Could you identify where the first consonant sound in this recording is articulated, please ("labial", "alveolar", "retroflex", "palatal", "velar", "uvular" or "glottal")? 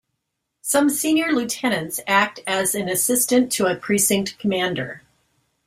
alveolar